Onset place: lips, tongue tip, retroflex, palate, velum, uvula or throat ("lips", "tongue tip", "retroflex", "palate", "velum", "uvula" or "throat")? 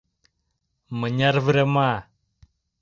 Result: lips